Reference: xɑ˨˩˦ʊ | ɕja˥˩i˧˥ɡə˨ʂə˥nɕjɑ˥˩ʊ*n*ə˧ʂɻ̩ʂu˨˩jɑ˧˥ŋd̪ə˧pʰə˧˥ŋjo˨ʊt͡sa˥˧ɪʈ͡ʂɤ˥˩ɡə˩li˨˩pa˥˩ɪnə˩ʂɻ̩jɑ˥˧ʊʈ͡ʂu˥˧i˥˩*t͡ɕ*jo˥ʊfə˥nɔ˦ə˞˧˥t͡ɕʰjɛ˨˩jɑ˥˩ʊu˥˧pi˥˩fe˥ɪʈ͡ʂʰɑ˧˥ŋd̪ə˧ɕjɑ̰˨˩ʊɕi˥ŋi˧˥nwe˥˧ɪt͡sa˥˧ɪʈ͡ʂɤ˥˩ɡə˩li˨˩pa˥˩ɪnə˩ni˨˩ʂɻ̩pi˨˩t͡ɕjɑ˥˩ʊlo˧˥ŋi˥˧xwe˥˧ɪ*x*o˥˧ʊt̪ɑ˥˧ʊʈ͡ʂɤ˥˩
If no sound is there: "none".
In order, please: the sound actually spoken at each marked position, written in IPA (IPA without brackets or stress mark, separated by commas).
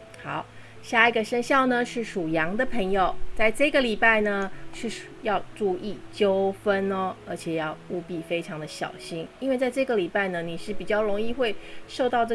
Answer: n, t͡ɕ, ʂ